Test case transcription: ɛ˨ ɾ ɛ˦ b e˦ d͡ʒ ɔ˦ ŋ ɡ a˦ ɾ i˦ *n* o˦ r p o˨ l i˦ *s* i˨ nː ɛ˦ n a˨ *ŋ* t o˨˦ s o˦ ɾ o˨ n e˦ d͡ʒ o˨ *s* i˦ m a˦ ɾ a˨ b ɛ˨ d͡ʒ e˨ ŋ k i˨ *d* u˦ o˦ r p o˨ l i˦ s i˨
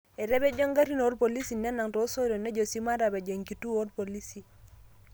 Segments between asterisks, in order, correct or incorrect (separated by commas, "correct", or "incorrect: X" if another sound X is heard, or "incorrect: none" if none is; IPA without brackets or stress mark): correct, correct, correct, correct, incorrect: t